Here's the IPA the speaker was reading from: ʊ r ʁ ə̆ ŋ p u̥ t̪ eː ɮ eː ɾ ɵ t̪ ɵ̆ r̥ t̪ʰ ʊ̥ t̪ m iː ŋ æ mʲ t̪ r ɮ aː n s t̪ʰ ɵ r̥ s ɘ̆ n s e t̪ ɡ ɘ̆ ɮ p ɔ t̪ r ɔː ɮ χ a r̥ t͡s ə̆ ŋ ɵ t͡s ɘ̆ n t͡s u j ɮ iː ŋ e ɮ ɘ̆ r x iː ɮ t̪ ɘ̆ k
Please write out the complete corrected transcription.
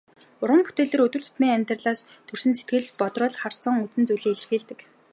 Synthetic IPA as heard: ʊ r ʁ ə̆ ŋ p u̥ t̪ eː ɮ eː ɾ ɵ t̪ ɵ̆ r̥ t̪ʰ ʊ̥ t̪ m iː ŋ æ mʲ t̪ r ɮ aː s t̪ʰ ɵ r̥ s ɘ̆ n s e t̪ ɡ ɘ̆ ɮ p ɔ t̪ r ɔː ɮ χ a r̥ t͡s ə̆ ŋ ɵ t͡s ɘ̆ n t͡s u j ɮ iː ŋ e ɮ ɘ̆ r x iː ɮ t̪ ɘ̆ k